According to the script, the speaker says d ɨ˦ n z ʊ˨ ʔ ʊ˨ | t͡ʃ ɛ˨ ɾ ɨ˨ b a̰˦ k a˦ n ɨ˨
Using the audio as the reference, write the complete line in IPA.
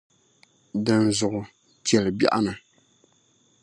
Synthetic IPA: d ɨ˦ n z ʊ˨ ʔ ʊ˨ | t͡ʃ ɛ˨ l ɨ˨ b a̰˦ ʔ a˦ n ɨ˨